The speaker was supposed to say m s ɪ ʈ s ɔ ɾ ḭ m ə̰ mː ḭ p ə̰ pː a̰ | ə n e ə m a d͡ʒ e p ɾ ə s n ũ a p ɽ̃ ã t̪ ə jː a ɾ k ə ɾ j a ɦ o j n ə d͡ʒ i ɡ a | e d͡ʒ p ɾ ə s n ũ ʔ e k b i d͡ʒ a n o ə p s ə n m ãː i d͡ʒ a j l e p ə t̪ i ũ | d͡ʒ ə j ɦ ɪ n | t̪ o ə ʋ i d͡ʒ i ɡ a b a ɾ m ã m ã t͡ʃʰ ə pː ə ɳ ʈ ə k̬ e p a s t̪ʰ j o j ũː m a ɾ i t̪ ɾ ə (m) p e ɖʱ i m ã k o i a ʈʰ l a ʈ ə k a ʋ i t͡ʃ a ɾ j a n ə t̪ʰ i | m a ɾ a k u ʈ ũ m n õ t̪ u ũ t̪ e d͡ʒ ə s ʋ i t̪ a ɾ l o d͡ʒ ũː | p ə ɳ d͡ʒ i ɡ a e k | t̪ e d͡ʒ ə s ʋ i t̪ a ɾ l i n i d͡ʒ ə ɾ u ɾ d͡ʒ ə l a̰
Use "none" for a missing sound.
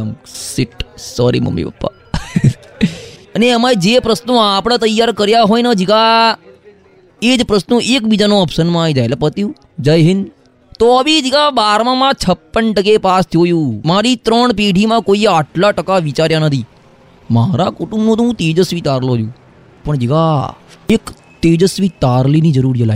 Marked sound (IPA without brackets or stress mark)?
ɳ